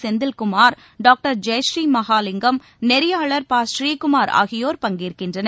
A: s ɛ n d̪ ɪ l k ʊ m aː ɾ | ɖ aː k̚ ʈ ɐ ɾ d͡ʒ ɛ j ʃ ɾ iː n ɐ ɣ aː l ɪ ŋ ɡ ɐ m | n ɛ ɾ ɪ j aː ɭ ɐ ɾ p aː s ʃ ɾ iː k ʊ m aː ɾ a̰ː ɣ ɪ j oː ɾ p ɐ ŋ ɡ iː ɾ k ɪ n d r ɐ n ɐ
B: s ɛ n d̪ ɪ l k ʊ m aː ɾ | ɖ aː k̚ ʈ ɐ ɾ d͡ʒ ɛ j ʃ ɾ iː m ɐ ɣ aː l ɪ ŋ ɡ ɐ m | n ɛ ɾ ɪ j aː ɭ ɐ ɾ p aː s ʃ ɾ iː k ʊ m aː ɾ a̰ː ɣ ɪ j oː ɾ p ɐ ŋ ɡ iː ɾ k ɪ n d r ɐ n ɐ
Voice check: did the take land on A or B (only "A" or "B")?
B